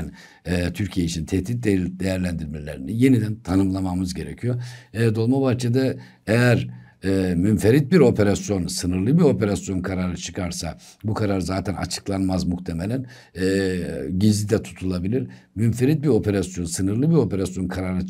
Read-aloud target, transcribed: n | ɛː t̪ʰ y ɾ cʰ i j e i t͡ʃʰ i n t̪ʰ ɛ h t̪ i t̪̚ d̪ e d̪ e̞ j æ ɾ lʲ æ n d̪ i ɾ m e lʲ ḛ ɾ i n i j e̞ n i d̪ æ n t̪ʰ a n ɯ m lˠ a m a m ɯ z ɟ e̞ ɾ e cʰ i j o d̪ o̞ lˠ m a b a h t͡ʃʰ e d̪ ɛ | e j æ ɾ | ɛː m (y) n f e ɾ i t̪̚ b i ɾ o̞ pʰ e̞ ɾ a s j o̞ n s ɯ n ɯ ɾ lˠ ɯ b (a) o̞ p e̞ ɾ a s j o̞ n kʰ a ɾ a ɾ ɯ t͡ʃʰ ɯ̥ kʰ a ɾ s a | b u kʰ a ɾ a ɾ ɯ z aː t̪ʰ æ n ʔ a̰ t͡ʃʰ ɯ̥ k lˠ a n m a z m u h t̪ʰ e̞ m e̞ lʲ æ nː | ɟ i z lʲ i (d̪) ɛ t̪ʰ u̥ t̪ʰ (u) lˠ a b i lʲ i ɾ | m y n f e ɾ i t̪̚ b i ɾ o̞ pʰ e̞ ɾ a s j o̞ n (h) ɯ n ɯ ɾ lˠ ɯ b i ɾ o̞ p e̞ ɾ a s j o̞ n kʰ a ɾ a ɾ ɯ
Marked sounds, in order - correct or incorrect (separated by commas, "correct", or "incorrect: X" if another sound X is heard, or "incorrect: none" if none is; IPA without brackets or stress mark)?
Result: correct, incorrect: i, correct, correct, incorrect: s